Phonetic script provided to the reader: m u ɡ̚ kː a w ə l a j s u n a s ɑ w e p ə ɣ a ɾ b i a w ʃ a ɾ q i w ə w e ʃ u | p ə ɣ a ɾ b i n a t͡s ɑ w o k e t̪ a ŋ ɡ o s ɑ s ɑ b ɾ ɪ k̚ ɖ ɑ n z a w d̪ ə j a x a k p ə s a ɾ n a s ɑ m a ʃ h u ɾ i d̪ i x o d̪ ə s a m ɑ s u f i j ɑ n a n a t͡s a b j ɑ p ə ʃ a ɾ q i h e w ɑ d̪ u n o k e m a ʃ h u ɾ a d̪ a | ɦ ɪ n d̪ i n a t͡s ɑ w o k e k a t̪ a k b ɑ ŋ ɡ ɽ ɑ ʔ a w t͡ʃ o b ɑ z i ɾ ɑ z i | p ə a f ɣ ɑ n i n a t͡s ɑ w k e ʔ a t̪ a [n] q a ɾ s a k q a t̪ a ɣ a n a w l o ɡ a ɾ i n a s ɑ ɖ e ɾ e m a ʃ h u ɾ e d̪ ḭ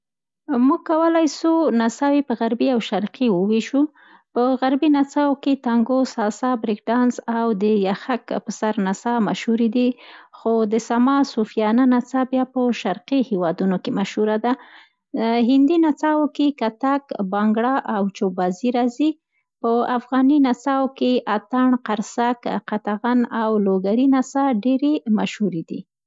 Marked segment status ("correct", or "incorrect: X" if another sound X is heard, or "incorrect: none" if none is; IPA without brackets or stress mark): incorrect: ɳ